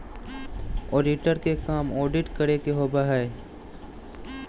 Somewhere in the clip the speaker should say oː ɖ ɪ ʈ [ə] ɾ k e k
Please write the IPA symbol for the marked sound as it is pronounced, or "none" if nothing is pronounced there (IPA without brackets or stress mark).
ə